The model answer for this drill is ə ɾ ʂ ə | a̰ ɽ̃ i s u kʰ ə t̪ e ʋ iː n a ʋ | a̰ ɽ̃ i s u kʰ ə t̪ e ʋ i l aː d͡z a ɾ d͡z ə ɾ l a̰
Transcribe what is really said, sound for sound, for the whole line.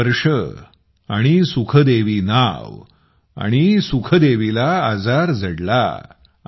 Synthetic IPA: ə ɾ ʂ ə | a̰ ɽ̃ i s u kʰ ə d̪ e ʋ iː n a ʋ | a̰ ɽ̃ i s u kʰ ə d̪ e ʋ i l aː d͡z a ɾ d͡z ə ɽ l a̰